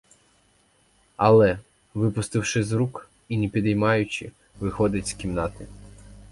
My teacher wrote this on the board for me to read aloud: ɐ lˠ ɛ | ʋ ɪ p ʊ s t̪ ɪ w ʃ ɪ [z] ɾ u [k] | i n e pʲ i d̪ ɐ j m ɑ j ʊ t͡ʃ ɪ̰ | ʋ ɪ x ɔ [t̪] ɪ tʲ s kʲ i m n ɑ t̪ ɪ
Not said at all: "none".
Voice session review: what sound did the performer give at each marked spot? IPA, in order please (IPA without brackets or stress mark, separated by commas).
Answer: z, k, d̪